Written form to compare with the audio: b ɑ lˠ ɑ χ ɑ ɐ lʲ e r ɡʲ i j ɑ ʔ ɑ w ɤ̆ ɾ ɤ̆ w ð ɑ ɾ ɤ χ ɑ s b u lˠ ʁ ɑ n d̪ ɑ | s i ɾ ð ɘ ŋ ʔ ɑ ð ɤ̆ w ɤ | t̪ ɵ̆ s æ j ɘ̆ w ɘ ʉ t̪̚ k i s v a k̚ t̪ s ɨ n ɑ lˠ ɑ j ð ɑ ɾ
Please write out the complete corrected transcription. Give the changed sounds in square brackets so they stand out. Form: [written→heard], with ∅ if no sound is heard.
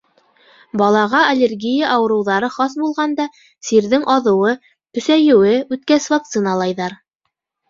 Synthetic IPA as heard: b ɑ lˠ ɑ [χ→ʁ] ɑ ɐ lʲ e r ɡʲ i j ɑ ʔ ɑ w ɤ̆ ɾ ɤ̆ w ð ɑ ɾ ɤ χ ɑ s b u lˠ ʁ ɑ n d̪ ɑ | s i ɾ ð ɘ ŋ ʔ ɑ ð ɤ̆ w ɤ | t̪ ɵ̆ s æ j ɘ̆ w ɘ ʉ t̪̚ k [i→æ] s v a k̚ t̪ s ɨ n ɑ lˠ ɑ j ð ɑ ɾ